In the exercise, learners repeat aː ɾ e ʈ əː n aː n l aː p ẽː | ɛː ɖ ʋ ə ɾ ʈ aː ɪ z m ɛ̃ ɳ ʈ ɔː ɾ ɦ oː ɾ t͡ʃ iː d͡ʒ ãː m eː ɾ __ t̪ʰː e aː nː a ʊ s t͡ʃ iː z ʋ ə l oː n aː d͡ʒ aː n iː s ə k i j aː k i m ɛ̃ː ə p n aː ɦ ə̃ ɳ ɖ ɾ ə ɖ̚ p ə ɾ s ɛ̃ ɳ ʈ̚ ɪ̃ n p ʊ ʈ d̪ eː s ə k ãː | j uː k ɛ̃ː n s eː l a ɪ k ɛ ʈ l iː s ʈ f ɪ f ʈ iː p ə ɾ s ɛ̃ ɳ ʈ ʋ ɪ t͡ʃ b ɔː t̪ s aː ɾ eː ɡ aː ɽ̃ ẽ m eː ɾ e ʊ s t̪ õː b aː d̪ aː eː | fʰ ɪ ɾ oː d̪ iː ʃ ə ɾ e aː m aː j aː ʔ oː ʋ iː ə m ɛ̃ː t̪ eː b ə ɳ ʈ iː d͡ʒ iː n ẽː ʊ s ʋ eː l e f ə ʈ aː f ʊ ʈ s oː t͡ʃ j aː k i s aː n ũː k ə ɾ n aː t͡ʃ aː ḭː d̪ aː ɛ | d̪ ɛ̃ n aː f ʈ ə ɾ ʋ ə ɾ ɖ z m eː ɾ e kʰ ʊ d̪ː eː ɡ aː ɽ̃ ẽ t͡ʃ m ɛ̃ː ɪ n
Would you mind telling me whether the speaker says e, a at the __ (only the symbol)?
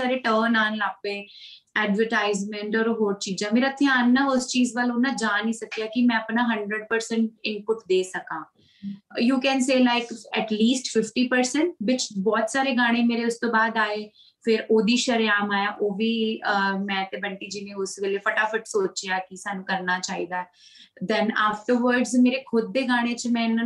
a